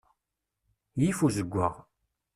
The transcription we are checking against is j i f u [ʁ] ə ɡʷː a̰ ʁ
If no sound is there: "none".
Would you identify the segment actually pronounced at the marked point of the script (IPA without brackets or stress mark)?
z